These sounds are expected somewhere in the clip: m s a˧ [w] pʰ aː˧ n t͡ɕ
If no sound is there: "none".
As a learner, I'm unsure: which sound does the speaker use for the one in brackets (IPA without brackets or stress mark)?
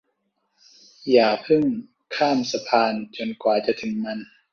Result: none